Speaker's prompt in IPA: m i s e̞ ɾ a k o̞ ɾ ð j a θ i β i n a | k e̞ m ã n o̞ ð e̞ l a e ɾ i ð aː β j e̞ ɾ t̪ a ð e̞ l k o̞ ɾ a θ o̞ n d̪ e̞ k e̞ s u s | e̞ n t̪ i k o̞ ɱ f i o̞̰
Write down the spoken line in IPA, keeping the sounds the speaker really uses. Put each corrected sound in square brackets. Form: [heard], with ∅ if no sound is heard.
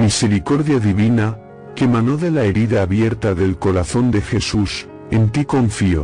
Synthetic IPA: m i s e̞ ɾ [i] k o̞ ɾ ð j a [ð] i β i n a | k e̞ m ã n o̞ ð e̞ l a e ɾ i ð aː β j e̞ ɾ t̪ a ð e̞ l k o̞ ɾ a θ o̞ n d̪ e̞ [x] e̞ s u s | e̞ n t̪ i k o̞ ɱ f i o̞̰